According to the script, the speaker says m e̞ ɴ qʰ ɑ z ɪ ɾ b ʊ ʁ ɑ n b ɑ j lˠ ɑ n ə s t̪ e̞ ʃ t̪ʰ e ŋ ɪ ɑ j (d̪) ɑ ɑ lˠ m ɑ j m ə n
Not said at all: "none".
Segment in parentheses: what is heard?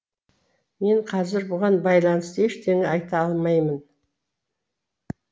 t̪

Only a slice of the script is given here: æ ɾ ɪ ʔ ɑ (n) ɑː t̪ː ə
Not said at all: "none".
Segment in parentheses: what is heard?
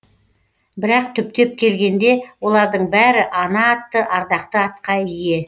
n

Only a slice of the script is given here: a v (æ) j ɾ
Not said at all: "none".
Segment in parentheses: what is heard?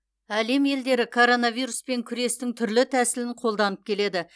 i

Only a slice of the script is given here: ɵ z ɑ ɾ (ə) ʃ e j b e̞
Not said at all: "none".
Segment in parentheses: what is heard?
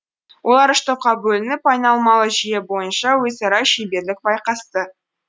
ɑ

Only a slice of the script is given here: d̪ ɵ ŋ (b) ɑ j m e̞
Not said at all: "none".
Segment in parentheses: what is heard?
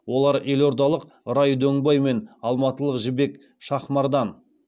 b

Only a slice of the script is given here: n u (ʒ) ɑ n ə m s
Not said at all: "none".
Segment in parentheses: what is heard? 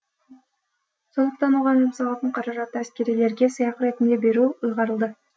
ʁ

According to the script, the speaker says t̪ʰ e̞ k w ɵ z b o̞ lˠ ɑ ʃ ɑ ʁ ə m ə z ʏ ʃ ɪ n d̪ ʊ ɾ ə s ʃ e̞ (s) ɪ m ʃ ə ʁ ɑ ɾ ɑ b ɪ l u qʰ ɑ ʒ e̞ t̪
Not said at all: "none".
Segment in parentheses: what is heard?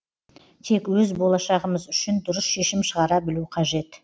ʃ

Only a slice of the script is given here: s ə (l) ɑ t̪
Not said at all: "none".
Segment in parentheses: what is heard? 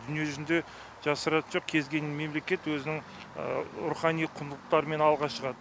ɾ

